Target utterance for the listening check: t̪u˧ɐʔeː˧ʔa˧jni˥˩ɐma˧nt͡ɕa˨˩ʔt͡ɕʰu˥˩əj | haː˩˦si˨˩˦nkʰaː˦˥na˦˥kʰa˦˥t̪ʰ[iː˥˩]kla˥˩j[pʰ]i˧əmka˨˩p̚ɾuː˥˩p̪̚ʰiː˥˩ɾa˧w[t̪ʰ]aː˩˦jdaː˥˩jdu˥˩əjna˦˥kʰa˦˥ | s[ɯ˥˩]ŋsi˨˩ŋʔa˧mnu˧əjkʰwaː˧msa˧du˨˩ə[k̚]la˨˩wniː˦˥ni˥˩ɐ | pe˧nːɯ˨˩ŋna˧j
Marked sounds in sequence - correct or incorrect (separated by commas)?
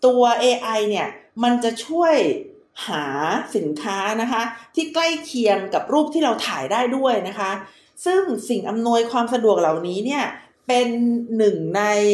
correct, incorrect, correct, correct, correct